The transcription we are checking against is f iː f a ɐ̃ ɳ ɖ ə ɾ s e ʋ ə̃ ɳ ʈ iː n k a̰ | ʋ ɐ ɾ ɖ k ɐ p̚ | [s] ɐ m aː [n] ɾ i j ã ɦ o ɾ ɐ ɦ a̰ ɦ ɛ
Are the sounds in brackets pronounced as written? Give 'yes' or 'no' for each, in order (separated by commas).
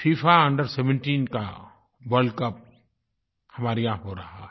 no, no